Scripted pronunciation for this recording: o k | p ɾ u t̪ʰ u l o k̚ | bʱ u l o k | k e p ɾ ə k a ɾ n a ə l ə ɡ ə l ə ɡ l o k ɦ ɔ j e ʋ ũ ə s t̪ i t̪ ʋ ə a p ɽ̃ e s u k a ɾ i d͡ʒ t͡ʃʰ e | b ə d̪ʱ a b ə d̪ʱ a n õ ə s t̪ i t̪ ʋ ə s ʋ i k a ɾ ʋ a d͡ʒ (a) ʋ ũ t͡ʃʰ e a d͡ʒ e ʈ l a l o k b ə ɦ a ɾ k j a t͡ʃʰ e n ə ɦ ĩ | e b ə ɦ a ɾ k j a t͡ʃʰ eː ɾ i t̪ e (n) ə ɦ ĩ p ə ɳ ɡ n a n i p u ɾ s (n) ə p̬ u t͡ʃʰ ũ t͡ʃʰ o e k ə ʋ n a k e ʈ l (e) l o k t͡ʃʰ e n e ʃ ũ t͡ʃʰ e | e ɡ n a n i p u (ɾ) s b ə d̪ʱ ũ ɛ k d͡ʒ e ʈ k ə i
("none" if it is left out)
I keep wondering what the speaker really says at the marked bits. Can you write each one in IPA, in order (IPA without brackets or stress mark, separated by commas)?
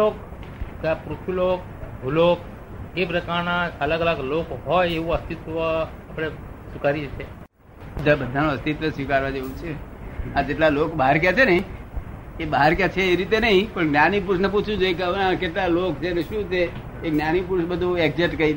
e, n, n, a, ɾ